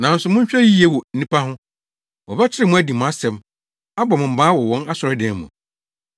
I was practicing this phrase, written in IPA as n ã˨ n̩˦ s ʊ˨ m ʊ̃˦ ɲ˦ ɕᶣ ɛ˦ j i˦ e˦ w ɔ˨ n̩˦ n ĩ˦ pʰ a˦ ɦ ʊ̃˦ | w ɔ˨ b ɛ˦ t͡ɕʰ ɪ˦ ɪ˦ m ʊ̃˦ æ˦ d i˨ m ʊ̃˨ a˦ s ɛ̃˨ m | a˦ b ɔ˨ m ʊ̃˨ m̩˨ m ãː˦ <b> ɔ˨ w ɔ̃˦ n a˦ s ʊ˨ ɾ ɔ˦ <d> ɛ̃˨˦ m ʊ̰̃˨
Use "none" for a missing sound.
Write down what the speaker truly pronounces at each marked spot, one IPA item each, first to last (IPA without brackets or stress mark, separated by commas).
w, d